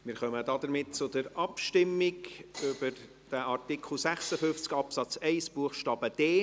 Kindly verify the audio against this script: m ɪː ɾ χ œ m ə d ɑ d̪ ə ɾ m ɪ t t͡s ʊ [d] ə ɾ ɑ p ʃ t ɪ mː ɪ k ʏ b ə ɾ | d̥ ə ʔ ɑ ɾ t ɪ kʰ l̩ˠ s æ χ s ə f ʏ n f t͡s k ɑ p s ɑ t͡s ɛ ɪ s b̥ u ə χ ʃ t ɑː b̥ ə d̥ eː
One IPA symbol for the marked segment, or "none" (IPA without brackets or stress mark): d